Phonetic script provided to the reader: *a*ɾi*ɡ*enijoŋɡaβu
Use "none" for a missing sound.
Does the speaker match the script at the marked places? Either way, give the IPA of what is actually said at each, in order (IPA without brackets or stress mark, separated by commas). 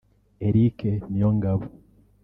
e, k